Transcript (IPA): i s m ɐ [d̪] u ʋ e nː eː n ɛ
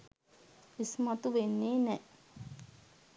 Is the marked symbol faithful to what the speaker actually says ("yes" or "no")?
no